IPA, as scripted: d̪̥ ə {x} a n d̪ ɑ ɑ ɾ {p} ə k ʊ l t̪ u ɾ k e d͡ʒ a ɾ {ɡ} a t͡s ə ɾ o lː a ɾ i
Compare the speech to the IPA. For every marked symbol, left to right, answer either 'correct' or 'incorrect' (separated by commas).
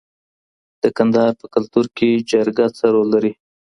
incorrect, correct, correct